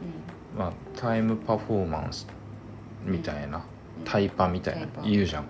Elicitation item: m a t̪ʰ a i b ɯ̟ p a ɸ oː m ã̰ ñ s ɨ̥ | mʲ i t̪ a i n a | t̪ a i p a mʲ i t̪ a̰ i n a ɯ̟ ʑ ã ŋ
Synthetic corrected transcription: m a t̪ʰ a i m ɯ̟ p a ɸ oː m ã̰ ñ s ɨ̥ | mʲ i t̪ a i n a | t̪ʰ a i p a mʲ i t̪ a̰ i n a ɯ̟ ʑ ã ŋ